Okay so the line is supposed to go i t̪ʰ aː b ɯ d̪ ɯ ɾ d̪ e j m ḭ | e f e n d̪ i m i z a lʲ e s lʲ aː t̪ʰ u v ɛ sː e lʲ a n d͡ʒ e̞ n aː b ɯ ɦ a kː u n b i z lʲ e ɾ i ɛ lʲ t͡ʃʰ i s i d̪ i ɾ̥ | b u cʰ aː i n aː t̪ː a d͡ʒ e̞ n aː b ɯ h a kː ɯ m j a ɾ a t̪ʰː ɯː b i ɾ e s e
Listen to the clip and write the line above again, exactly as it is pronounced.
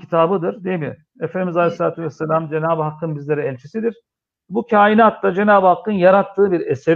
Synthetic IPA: i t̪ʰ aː b ɯ d̪ ɯ ɾ d̪ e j m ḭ | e f e n d̪ i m i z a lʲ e s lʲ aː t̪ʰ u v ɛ sː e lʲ a m d͡ʒ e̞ n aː b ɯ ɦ a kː ɯ n b i z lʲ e ɾ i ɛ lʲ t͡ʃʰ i s i d̪ i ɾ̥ | b u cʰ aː i n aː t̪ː a d͡ʒ e̞ n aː b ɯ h a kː ɯ n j a ɾ a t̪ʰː ɯː b i ɾ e s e